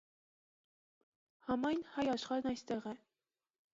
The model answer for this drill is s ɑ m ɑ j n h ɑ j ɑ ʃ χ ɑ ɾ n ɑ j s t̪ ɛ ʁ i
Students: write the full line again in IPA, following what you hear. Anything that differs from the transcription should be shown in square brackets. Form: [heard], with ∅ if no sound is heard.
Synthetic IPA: [h] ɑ m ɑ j n h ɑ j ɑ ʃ χ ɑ ɾ n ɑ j s t̪ ɛ ʁ [ɛ]